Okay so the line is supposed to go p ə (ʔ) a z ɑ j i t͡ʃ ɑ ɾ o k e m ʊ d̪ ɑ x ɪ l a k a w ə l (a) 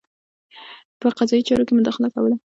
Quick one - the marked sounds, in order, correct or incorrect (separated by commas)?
incorrect, correct